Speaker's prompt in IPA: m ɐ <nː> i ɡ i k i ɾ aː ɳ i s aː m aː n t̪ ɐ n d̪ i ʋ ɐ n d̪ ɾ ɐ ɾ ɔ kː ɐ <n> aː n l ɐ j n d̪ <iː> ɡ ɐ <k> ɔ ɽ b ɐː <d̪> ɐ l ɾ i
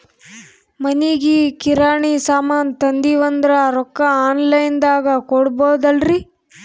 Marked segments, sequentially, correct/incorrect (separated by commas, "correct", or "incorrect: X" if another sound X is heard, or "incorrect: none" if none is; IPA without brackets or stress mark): incorrect: n, incorrect: none, incorrect: aː, correct, correct